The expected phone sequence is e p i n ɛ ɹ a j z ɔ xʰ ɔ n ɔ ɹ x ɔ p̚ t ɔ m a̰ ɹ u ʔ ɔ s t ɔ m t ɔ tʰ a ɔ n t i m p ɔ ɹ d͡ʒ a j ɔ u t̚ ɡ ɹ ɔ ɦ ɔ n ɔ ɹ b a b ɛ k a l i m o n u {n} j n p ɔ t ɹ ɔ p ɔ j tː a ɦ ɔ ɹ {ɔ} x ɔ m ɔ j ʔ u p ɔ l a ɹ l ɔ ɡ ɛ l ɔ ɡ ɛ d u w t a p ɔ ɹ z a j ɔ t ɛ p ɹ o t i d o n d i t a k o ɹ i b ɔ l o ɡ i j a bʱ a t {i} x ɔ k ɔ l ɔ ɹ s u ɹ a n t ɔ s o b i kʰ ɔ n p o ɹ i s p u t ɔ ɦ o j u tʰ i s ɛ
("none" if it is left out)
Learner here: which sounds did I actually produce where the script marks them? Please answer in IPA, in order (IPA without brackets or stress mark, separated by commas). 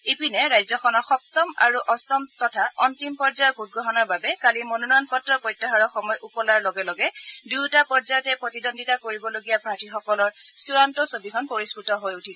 n, ɔ, i